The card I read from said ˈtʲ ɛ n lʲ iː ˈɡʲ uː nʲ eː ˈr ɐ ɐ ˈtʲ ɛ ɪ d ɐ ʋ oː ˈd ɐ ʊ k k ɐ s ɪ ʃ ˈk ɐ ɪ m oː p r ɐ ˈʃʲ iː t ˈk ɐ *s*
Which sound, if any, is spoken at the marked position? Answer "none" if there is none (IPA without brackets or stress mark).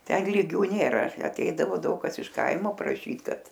t